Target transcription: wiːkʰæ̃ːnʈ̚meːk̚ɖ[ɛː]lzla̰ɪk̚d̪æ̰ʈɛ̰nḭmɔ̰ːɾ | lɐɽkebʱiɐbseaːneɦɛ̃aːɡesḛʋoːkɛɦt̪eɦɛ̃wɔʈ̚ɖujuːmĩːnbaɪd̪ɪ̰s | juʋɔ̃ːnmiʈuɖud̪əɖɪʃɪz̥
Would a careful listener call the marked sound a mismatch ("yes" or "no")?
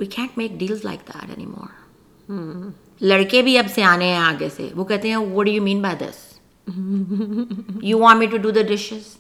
yes